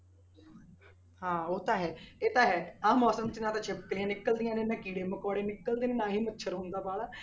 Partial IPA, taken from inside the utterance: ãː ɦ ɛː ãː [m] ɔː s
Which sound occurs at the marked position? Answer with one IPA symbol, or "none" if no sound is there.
m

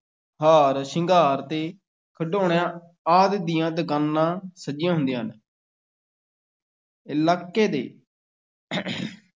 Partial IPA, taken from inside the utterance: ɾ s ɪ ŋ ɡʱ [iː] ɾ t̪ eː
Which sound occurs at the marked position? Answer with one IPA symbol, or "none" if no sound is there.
aː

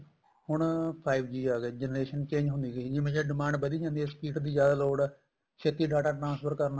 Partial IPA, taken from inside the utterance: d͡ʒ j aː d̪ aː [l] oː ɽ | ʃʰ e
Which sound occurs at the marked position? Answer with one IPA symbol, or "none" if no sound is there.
l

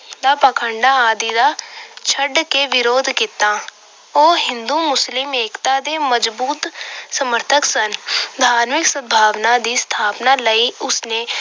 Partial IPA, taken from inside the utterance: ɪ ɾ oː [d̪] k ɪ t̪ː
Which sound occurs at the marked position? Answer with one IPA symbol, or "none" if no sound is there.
d̪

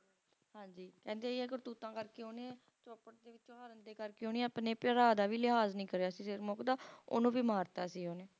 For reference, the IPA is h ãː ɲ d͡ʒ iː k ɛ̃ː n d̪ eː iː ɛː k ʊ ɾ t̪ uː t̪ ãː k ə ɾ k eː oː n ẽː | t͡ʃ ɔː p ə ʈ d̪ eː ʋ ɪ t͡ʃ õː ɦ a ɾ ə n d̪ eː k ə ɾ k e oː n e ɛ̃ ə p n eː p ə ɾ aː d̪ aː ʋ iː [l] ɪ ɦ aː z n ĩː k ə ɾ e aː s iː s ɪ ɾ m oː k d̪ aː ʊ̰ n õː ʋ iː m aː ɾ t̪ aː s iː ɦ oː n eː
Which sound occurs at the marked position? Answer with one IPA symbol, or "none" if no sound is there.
l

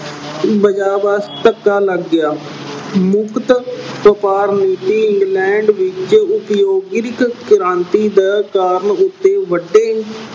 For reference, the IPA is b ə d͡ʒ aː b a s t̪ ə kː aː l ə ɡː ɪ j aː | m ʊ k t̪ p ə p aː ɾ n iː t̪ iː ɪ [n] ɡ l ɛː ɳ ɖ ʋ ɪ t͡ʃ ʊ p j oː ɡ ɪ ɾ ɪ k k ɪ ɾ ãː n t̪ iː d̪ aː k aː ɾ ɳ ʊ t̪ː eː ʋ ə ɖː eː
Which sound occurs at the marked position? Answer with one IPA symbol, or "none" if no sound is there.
ŋ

